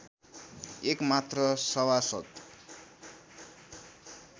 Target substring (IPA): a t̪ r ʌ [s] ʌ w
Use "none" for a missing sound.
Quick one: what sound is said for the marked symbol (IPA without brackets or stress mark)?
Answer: s